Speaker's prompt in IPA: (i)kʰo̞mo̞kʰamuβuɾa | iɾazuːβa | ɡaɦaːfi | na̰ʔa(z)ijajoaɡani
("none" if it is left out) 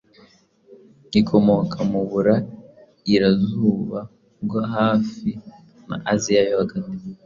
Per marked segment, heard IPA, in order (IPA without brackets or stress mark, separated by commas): i, z